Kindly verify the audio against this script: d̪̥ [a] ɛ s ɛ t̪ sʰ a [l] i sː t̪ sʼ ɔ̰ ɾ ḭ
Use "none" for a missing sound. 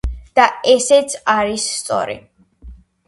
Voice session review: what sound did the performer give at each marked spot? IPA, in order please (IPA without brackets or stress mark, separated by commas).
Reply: a, ɾ